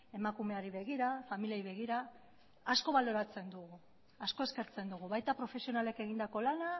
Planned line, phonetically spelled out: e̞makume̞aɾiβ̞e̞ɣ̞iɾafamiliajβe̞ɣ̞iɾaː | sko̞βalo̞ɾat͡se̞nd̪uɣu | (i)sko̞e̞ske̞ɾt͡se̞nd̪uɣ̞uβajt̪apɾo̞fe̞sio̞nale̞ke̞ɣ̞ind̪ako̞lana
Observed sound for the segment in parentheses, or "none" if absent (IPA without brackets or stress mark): a